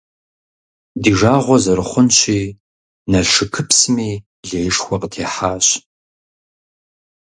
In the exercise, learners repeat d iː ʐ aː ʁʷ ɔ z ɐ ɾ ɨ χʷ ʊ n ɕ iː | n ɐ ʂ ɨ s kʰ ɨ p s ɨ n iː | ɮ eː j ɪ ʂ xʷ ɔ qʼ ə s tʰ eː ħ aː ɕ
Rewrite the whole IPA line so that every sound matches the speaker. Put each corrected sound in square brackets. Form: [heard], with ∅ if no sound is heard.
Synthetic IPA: d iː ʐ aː ʁʷ ɔ z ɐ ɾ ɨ χʷ ʊ n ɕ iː | n ɐ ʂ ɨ [∅] kʰ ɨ p s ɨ [m] iː | ɮ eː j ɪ ʂ xʷ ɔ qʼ ə [∅] tʰ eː ħ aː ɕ